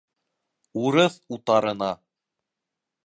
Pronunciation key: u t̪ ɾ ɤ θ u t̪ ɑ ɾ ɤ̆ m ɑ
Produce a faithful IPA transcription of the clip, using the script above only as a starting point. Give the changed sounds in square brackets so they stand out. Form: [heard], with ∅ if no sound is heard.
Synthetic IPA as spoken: u [∅] ɾ ɤ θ u t̪ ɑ ɾ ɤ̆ [n] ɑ